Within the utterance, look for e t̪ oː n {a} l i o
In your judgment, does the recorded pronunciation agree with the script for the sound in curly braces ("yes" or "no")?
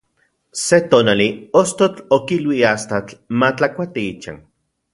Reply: yes